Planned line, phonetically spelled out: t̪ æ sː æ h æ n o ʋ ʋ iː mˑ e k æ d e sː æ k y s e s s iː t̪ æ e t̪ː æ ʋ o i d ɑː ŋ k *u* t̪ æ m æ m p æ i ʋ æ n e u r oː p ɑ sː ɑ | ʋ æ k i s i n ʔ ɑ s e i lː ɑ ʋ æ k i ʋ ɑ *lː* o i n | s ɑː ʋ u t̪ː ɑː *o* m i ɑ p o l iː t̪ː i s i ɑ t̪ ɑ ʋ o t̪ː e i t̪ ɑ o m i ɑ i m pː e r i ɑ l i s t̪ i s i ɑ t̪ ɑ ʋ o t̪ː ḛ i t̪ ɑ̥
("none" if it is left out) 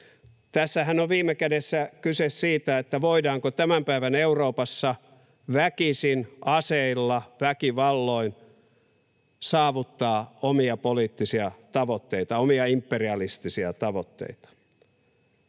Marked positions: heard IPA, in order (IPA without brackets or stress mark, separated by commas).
o, lː, o